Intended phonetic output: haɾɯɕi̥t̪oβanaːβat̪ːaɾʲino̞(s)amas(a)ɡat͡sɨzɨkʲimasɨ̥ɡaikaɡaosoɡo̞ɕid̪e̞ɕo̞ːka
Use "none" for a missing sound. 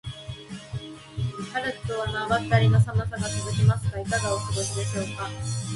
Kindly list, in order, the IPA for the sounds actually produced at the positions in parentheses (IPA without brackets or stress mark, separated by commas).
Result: s, a